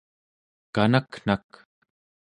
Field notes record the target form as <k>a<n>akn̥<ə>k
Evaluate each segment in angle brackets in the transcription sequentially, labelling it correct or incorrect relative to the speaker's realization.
correct, correct, incorrect: a

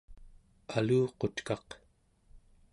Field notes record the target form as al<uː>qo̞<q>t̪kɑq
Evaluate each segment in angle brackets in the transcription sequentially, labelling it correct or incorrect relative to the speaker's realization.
correct, incorrect: none

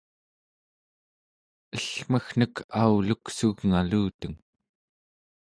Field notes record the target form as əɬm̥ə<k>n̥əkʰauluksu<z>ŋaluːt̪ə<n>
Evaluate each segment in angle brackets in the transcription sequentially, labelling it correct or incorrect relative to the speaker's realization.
incorrect: x, incorrect: ɣ, incorrect: ŋ

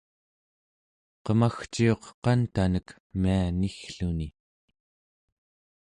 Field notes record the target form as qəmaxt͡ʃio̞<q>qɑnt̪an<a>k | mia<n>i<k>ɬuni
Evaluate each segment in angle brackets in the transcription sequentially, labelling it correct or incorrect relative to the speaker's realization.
correct, incorrect: ə, correct, incorrect: x

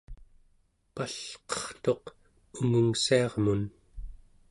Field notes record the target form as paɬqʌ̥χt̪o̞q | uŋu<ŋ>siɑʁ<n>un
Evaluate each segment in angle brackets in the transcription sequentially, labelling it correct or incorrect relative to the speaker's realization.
correct, incorrect: m

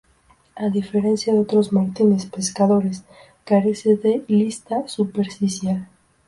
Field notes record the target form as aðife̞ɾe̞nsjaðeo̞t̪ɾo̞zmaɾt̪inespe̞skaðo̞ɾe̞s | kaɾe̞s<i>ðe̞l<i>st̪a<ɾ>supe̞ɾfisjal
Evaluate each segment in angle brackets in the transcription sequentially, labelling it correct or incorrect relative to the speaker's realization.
incorrect: e, correct, incorrect: none

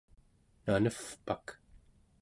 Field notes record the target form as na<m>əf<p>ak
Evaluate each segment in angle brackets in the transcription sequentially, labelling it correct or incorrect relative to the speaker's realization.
incorrect: n, correct

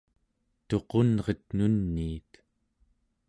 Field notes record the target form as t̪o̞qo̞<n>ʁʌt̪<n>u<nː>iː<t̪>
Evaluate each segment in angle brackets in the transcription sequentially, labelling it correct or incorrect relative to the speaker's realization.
correct, correct, correct, correct

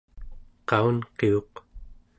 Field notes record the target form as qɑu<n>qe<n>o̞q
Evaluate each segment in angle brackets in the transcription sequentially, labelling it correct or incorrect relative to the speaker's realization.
correct, incorrect: none

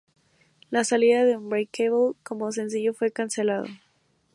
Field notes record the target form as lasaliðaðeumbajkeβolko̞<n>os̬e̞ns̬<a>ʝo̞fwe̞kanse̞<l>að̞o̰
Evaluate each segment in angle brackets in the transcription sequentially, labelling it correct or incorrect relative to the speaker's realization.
incorrect: m, incorrect: i, correct

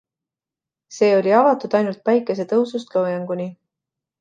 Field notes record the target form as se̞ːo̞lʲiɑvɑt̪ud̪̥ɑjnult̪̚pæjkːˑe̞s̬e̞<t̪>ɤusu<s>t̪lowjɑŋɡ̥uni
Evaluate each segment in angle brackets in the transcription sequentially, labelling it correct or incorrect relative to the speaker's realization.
correct, correct

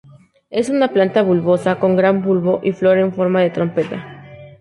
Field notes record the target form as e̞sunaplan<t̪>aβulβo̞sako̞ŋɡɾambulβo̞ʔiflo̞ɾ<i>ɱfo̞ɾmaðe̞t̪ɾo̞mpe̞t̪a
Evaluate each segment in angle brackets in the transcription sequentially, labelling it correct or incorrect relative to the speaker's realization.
correct, incorrect: e

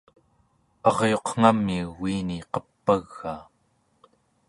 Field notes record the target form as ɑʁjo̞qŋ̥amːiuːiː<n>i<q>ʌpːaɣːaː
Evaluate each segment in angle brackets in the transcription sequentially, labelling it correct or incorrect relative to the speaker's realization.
correct, correct

